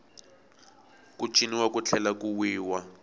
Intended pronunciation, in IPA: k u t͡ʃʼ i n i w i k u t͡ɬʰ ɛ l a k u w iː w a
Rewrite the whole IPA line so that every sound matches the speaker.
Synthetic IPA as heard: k u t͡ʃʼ i n i w a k u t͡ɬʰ ɛ l a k u w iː w a

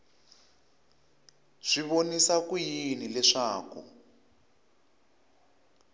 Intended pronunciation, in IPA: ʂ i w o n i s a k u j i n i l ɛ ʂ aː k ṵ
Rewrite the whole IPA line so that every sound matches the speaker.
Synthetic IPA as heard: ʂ i β o n i s a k u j i n i l ɛ ʂ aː k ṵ

